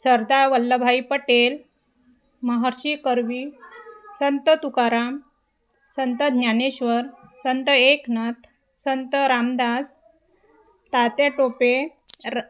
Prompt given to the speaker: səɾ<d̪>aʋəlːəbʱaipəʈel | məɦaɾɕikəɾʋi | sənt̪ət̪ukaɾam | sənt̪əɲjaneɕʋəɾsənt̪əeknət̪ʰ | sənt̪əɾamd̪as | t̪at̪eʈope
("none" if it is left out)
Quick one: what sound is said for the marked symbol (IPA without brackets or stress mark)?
d̪